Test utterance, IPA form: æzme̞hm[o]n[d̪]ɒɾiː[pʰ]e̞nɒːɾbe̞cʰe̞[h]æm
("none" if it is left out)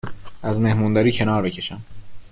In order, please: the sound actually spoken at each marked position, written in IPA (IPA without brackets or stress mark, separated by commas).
u, d̪, cʰ, ʃ